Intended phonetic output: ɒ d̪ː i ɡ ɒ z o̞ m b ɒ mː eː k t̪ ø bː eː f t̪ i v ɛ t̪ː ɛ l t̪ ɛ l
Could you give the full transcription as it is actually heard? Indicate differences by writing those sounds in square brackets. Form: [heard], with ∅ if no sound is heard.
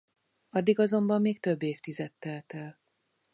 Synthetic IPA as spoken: ɒ d̪ː i ɡ ɒ z o̞ m b ɒ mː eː k t̪ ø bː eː f t̪ i [z] ɛ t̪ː ɛ l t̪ ɛ l